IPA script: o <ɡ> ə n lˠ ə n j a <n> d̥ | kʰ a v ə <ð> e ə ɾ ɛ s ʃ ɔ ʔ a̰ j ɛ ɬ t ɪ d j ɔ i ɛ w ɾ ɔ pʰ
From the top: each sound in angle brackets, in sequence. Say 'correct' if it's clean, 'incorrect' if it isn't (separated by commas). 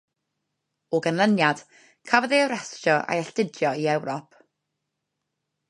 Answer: correct, incorrect, correct